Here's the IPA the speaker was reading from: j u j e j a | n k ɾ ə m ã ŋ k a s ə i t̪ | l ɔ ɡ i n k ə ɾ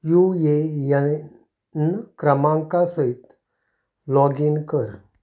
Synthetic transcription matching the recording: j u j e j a | n k ɾ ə m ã ŋ k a s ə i t̪ | l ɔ ɡ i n k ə ɾ